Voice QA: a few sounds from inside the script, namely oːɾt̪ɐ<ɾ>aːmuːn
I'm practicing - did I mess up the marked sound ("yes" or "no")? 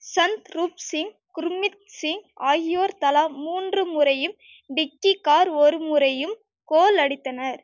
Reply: yes